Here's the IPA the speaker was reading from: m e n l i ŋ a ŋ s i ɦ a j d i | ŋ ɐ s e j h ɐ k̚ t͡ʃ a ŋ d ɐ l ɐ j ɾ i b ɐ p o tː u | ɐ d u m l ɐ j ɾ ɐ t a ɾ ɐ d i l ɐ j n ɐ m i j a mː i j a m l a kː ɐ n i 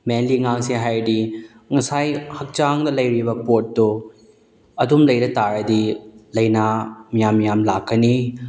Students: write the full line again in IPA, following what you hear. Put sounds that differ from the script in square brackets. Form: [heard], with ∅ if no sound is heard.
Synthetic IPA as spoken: m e n l i ŋ a ŋ s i ɦ a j d i | ŋ ɐ s [a] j h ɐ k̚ t͡ʃ a ŋ d ɐ l ɐ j ɾ i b ɐ p o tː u | ɐ d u m l ɐ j ɾ ɐ t a ɾ ɐ d i l ɐ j n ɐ m i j a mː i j a m l a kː ɐ n i